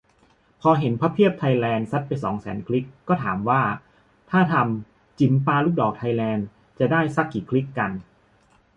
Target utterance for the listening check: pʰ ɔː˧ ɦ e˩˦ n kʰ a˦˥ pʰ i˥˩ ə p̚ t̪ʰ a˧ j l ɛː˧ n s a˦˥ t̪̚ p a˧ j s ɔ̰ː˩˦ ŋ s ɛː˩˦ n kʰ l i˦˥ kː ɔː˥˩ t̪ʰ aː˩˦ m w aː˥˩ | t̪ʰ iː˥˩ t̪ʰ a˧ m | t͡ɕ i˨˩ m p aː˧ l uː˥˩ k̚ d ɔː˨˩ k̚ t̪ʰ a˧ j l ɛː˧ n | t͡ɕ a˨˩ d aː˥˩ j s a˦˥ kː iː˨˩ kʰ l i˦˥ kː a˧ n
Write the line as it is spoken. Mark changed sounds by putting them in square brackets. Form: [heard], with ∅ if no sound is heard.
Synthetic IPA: pʰ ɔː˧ ɦ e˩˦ n [pʰ] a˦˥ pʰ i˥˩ ə p̚ t̪ʰ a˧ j l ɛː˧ n s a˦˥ t̪̚ p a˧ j s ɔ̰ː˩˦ ŋ s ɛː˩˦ n kʰ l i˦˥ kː ɔː˥˩ t̪ʰ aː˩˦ m w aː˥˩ | t̪ʰ [aː˥˩] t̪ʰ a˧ m | t͡ɕ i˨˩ m p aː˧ l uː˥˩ k̚ d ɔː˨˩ k̚ t̪ʰ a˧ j l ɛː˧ n | t͡ɕ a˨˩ d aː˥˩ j s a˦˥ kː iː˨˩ kʰ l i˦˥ kː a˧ n